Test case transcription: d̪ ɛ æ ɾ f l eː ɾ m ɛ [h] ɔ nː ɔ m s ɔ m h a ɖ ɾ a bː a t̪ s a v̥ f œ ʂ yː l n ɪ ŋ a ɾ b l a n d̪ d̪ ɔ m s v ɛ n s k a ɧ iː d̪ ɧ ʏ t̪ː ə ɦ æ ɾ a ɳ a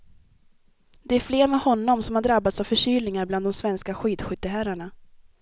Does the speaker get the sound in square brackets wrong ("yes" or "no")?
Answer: no